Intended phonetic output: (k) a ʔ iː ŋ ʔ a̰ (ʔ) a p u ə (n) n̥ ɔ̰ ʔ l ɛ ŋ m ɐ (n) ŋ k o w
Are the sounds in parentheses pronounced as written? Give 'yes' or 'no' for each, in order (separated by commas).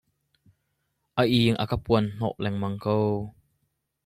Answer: no, no, yes, no